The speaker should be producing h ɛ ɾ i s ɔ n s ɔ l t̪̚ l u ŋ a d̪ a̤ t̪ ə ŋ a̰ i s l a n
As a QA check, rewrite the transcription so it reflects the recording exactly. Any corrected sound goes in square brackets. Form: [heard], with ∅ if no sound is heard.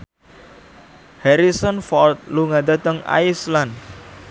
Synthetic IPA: h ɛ ɾ i s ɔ n [f] ɔ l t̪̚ l u ŋ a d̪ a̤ t̪ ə ŋ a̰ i s l a n